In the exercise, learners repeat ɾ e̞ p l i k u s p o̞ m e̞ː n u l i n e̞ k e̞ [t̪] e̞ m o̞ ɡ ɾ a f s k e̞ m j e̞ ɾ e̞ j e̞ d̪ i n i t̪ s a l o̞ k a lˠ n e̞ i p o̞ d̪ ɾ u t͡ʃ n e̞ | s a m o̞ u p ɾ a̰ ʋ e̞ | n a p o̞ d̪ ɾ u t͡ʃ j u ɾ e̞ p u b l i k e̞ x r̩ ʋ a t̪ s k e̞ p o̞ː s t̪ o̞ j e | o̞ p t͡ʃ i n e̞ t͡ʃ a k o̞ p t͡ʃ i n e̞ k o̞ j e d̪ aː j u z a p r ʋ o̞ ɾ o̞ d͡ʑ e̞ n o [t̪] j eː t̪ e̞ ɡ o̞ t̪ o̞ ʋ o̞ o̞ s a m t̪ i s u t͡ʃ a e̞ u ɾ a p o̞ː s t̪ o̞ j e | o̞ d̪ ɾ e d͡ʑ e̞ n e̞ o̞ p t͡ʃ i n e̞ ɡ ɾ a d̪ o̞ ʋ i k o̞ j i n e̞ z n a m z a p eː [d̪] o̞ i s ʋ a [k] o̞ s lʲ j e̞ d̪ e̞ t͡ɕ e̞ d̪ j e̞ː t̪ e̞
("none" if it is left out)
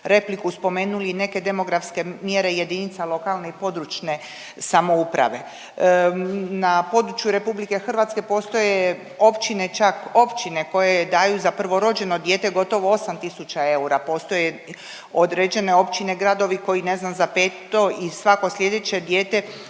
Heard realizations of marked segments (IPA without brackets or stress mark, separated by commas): d̪, d̪, t̪, k